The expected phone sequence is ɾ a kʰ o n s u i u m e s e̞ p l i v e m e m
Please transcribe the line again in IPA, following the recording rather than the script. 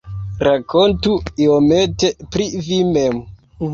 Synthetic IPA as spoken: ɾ a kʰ o n t u i o m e t e̞ p ɾ i v i m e m